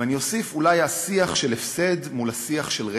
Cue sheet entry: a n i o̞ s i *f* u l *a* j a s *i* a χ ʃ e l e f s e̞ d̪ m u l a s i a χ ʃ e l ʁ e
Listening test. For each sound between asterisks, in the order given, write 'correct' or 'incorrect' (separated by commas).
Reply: correct, correct, correct